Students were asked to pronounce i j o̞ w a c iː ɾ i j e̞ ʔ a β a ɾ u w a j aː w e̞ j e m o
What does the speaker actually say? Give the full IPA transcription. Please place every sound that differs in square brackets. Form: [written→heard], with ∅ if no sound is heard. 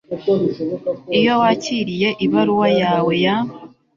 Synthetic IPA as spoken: i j o̞ w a c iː ɾ i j e̞ ʔ [a→i] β a ɾ u w a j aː w e̞ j [e→a] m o